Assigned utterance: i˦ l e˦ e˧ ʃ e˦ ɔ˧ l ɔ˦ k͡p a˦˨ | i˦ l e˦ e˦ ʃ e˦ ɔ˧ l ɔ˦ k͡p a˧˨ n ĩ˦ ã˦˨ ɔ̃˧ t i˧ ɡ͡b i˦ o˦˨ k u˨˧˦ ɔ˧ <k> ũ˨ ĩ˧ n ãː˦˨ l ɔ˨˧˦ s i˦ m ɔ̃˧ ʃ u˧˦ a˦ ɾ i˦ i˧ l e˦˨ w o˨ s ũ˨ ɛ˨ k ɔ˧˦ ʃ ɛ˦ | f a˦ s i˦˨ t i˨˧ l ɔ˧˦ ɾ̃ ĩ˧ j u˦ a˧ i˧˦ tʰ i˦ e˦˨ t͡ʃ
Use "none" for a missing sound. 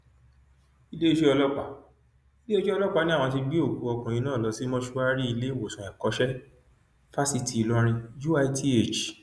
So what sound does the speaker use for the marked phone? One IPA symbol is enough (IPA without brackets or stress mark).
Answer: k